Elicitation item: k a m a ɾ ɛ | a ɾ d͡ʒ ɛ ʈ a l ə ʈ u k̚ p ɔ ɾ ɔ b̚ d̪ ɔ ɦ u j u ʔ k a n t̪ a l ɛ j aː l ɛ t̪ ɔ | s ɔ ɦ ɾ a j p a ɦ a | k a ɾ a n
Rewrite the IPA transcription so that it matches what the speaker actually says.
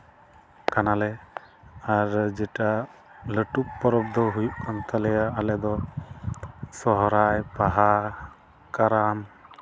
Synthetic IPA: k a n a l ɛ | a ɾ d͡ʒ ɛ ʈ a l ə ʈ u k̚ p ɔ ɾ ɔ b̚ d̪ ɔ ɦ u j u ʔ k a n t̪ a l ɛ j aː l ɛ d̪ ɔ | s ɔ ɦ ɾ a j p a ɦ a | k a ɾ a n